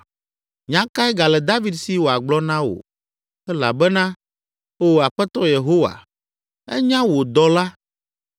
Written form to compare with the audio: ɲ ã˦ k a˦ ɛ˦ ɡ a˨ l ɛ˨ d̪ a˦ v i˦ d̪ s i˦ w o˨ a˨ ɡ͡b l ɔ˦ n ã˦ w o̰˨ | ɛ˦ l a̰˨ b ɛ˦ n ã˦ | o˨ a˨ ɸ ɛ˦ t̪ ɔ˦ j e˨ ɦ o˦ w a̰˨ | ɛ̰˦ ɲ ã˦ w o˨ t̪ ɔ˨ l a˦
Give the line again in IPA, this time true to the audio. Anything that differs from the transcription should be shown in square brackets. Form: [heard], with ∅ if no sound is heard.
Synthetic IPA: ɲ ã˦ k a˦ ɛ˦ ɡ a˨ l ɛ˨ d̪ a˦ v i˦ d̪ s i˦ w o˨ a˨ ɡ͡b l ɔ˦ n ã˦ w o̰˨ | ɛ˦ l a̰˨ b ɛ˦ n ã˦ | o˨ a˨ ɸ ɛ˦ t̪ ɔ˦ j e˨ ɦ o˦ w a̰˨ | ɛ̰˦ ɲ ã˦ w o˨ [d̪] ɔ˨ l a˦